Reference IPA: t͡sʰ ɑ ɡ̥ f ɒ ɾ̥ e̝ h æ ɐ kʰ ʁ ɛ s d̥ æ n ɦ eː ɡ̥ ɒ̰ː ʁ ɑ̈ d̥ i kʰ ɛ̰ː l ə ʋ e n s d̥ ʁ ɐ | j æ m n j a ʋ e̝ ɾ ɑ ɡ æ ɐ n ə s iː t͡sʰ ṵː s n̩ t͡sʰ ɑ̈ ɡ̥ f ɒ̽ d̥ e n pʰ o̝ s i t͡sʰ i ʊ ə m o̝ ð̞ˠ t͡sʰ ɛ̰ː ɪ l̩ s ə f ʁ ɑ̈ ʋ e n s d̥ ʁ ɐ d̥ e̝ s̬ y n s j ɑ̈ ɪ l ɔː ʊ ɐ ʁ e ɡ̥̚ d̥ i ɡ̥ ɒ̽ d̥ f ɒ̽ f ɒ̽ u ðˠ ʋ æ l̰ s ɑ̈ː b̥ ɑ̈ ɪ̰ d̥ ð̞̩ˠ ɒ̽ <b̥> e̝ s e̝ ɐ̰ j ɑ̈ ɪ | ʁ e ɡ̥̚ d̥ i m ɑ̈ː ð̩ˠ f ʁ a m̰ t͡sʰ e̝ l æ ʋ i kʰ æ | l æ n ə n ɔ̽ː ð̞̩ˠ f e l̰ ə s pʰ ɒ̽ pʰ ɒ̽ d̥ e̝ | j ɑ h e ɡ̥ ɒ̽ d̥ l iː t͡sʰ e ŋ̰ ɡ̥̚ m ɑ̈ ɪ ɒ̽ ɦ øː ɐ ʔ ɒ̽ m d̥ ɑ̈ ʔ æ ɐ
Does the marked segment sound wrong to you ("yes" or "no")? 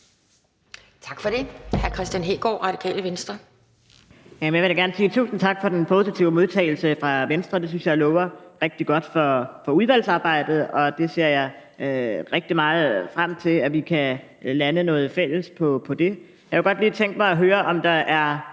yes